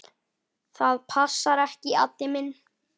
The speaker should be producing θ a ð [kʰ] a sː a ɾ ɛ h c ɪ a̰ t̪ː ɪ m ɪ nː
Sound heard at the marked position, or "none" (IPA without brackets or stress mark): pʰ